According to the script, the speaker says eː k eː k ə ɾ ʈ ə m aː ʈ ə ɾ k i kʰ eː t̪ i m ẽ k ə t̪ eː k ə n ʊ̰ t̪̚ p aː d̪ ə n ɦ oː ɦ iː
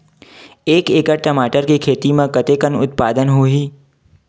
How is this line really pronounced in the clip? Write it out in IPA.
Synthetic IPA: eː k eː k ə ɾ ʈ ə m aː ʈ ə ɾ k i kʰ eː t̪ i m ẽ k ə t̪ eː k ə n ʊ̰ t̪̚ p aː d̪ ə n ɦ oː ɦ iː